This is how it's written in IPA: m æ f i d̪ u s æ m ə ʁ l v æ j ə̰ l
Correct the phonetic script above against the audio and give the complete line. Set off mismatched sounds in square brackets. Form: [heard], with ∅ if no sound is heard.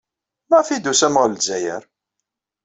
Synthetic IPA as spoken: m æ f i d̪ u s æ m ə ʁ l [z] æ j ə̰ [ɾ]